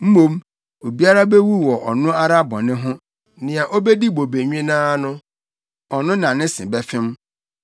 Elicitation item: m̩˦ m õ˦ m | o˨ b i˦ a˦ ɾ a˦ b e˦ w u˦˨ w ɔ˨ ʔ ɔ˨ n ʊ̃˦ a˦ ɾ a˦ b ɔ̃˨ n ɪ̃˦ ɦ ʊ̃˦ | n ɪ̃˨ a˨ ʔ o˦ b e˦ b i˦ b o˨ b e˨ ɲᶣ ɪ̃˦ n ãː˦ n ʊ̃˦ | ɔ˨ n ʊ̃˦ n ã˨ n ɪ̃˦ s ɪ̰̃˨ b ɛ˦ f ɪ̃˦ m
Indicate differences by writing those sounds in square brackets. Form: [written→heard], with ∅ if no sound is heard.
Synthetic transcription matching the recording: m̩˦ m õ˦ m | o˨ b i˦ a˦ ɾ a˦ b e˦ w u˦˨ w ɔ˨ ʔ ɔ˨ n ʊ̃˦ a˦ ɾ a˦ b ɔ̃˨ n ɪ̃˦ ɦ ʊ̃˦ | n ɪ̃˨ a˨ ʔ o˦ b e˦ [b→d] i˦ b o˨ b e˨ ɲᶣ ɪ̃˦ n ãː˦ n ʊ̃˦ | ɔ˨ n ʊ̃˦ n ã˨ n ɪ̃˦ s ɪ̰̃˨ b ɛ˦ f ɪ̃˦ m